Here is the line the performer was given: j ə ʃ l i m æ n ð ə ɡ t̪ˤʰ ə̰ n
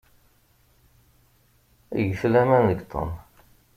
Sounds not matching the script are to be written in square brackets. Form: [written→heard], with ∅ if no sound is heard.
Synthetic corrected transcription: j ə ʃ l [i→æ] m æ n ð ə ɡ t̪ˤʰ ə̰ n